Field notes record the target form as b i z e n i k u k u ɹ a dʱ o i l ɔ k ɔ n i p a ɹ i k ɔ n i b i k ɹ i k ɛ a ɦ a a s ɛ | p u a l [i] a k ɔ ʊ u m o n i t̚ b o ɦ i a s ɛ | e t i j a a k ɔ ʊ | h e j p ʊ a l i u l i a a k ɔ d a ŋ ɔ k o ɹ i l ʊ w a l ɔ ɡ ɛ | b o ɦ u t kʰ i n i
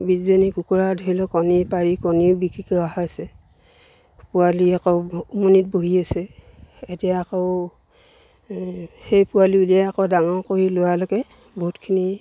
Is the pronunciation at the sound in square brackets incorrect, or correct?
correct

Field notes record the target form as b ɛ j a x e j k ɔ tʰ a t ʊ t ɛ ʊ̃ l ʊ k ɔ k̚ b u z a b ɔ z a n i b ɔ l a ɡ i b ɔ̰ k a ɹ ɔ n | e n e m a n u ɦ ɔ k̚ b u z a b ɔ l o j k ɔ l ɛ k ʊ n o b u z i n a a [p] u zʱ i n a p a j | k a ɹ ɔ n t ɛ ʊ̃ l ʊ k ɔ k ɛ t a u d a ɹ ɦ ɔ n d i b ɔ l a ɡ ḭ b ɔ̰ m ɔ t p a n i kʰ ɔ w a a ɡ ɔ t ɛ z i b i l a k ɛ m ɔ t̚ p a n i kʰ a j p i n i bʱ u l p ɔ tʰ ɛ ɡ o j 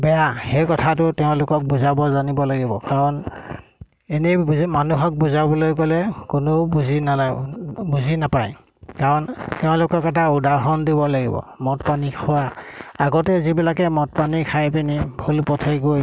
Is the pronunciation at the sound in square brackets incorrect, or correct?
incorrect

